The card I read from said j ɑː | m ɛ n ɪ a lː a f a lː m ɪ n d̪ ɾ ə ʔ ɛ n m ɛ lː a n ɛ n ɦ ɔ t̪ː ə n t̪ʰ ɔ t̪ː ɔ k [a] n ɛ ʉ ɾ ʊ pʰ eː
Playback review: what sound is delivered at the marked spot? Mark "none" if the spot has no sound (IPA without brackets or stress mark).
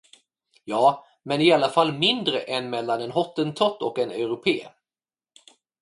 ɛ